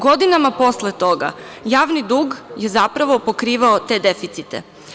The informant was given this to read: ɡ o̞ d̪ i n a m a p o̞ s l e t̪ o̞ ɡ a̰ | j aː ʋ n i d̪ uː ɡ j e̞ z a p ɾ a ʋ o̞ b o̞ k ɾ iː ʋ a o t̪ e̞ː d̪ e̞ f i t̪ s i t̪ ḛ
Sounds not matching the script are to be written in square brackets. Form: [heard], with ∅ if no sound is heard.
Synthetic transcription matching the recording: ɡ o̞ d̪ i n a m a p o̞ s l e t̪ o̞ ɡ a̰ | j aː ʋ n i d̪ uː ɡ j e̞ z a p ɾ a ʋ o̞ [p] o̞ k ɾ iː ʋ a o t̪ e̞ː d̪ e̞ f i t̪ s i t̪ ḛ

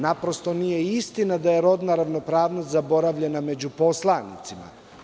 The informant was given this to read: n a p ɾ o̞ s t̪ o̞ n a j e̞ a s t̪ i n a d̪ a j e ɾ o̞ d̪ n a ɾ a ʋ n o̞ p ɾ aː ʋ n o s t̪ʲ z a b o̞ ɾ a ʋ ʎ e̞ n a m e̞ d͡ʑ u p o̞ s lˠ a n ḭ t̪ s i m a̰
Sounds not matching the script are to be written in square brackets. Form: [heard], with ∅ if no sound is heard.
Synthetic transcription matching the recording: n a p ɾ o̞ s t̪ o̞ n [i] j e̞ [i] s t̪ i n a d̪ a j e ɾ o̞ d̪ n a ɾ a ʋ n o̞ p ɾ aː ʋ n o s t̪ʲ z a b o̞ ɾ a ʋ ʎ e̞ n a m e̞ d͡ʑ u p o̞ s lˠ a n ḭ t̪ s i m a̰

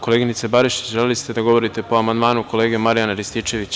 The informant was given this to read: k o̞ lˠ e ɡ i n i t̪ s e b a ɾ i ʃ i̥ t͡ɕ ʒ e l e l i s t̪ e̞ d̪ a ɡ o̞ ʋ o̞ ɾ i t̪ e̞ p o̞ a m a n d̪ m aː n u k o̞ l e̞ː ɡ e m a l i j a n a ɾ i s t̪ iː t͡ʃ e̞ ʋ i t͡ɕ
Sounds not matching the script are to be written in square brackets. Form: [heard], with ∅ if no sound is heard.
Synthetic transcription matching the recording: k o̞ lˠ e ɡ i n i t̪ s e b a ɾ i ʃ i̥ t͡ɕ ʒ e l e l i s t̪ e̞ d̪ a ɡ o̞ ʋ o̞ ɾ i t̪ e̞ p o̞ a m a n d̪ m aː n u k o̞ l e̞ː ɡ e m a [ɾ] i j a n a ɾ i s t̪ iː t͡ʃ e̞ ʋ i t͡ɕ

